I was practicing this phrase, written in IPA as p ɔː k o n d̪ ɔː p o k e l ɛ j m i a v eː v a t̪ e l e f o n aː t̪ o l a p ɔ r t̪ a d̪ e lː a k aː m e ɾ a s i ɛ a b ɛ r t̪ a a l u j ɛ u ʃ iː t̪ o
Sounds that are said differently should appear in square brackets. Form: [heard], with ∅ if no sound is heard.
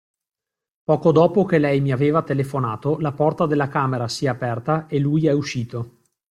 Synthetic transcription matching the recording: p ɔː k o [∅] d̪ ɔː p o k e l ɛ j m i a v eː v a t̪ e l e f o n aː t̪ o l a p ɔ r t̪ a d̪ e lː a k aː m e ɾ a s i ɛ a [p] ɛ r t̪ a [e] l u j ɛ u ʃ iː t̪ o